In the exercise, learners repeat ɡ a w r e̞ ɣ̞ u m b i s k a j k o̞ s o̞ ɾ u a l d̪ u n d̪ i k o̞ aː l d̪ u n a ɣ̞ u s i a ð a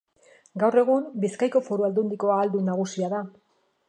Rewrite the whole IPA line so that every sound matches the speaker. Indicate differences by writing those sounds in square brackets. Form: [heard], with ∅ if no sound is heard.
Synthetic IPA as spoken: ɡ a w r e̞ ɣ̞ u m b i s k a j k o̞ [f] o̞ ɾ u a l d̪ u n d̪ i k o̞ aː l d̪ u n a ɣ̞ u s i a ð a